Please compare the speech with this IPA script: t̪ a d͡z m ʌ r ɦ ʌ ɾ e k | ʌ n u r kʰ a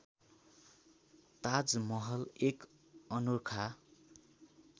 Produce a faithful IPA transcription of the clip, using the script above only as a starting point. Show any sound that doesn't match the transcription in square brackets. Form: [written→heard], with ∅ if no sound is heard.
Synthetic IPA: t̪ a d͡z m ʌ [r→∅] ɦ ʌ [ɾ→l] e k | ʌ n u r kʰ a